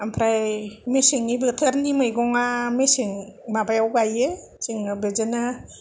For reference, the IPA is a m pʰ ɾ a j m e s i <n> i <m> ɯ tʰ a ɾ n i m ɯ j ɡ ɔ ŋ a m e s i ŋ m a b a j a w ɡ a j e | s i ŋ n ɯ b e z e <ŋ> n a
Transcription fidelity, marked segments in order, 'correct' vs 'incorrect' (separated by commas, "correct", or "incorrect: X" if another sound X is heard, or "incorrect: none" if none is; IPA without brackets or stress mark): incorrect: ŋ, incorrect: b, incorrect: none